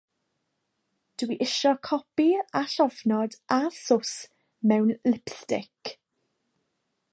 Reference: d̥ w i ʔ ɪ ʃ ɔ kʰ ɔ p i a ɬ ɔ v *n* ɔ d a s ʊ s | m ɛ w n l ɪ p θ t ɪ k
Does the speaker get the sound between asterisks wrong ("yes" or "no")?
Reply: no